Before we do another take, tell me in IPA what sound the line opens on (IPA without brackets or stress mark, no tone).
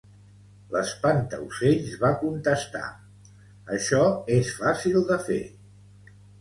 l